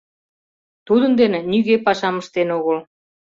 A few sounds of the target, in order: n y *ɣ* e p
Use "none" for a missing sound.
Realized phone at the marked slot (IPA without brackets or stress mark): ɣ